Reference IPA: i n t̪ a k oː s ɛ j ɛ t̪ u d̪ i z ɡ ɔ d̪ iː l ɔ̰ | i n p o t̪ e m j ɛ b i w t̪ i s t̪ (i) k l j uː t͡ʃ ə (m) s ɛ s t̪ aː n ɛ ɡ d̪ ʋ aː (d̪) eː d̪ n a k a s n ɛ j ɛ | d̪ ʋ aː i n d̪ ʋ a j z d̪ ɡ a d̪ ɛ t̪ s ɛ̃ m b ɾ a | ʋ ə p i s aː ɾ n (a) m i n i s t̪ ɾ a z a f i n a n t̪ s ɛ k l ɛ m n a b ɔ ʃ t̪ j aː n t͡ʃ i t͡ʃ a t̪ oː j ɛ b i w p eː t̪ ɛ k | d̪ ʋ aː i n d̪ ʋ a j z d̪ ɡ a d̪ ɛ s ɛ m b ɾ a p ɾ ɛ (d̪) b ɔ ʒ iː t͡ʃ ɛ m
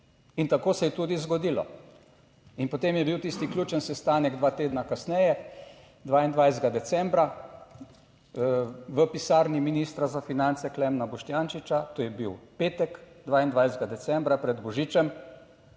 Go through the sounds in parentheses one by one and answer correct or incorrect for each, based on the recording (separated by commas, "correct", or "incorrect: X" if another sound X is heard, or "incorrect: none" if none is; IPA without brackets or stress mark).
correct, incorrect: n, incorrect: t̪, incorrect: i, correct